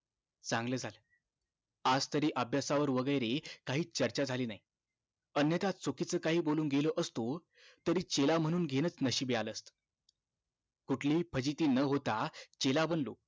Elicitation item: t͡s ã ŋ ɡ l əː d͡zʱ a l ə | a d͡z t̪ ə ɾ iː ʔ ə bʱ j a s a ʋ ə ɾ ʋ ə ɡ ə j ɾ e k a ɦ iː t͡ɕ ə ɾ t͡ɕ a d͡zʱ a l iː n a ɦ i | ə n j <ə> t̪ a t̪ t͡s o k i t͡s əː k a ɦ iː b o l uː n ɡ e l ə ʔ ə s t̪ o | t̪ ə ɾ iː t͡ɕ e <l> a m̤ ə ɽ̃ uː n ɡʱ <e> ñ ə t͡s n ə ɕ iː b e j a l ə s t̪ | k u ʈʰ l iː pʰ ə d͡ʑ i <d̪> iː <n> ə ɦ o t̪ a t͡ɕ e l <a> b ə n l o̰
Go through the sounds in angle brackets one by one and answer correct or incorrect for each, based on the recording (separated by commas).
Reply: correct, correct, correct, incorrect, correct, correct